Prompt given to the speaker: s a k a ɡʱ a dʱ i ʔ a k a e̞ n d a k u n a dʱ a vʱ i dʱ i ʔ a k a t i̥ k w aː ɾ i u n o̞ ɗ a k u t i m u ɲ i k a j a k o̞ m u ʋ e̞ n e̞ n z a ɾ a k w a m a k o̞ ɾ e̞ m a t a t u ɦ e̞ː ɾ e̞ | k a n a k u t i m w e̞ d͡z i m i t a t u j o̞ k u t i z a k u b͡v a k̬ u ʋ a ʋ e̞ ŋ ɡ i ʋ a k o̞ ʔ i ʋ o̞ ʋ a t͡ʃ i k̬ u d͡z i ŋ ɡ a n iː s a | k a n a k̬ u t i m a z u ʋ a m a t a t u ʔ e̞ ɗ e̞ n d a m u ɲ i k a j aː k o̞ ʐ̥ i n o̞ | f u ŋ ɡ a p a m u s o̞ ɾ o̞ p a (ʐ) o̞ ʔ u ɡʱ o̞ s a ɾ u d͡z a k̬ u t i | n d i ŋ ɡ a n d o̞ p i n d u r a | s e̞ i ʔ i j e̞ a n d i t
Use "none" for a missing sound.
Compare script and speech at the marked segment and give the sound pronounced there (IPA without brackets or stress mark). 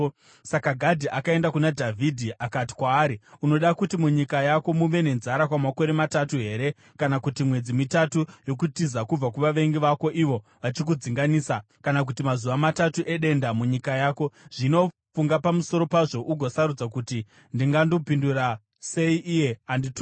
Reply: ʐ